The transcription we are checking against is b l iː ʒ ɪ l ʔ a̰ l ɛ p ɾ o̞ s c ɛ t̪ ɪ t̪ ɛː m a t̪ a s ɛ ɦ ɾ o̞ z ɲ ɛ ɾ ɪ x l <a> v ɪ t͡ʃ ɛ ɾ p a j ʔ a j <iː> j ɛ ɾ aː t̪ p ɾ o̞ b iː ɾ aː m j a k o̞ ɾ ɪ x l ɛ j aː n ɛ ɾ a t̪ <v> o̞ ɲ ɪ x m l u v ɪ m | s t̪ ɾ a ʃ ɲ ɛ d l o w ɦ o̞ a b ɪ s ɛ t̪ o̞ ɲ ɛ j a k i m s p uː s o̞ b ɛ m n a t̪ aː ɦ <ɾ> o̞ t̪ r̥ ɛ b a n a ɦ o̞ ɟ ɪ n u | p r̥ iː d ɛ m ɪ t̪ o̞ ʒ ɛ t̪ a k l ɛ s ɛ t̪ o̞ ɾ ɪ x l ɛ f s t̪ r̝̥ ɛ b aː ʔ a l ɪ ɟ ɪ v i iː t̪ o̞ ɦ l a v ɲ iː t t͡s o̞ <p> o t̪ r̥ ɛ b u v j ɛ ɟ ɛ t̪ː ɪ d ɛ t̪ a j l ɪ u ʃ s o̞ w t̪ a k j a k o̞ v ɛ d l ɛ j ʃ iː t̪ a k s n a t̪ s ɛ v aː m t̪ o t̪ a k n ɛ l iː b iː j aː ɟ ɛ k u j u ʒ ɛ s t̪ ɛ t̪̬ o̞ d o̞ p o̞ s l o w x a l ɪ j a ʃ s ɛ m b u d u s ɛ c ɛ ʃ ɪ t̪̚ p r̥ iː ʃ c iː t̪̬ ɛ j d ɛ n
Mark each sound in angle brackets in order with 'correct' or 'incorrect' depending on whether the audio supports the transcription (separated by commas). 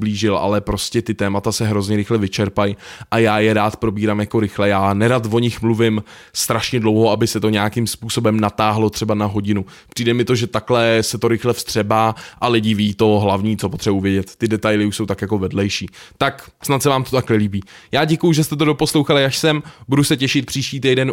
incorrect, incorrect, correct, incorrect, correct